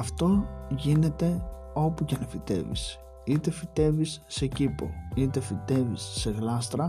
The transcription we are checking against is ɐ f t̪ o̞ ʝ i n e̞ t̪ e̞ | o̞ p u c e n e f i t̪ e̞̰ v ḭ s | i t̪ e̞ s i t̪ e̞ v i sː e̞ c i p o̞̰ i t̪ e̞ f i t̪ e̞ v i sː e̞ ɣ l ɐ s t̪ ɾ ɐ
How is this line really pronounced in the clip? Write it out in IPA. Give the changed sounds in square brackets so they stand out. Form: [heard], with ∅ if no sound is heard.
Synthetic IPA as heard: ɐ f t̪ o̞ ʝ i n e̞ t̪ e̞ | o̞ p u c e n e f i t̪ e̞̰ v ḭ s | i t̪ e̞ [f] i t̪ e̞ v i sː e̞ c i p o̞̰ i t̪ e̞ f i t̪ e̞ v i sː e̞ ɣ l ɐ s t̪ ɾ ɐ